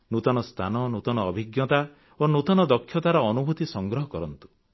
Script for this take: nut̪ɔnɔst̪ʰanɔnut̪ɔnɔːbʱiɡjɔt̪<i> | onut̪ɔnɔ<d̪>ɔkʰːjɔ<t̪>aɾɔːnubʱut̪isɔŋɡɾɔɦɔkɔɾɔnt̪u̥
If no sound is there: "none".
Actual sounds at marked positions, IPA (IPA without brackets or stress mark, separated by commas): a, d̪, t̪